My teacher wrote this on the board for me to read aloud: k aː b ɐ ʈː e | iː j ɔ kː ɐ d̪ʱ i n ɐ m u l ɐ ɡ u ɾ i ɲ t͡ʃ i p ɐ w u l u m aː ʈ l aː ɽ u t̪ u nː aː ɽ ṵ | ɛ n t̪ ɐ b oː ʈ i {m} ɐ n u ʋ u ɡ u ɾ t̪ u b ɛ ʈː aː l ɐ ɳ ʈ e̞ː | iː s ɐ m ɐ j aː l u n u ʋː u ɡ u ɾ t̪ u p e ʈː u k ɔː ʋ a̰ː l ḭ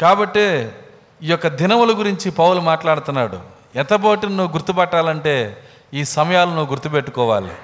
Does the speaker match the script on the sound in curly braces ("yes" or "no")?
no